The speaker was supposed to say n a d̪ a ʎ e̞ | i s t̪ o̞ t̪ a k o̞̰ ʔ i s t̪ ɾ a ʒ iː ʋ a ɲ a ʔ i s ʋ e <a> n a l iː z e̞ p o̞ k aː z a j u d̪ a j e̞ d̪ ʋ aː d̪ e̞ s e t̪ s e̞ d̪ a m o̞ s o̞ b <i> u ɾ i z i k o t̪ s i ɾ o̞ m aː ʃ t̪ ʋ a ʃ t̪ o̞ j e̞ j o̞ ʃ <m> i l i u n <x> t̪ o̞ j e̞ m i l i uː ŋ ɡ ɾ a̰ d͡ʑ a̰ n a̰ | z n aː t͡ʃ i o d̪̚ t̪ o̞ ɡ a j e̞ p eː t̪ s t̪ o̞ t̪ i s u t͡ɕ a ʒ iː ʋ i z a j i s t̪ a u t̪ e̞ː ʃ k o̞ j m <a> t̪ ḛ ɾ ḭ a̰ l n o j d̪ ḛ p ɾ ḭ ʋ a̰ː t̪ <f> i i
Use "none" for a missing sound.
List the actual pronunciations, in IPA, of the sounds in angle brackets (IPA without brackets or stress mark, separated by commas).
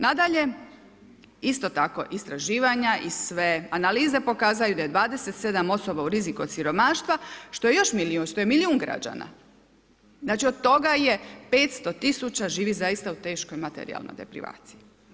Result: a, a, m, ʃ, a, s